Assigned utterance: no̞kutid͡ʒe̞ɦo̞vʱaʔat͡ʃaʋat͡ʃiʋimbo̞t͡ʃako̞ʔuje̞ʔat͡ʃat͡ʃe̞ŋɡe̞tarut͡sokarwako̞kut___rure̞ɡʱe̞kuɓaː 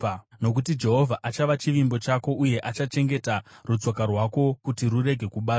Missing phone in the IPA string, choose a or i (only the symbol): i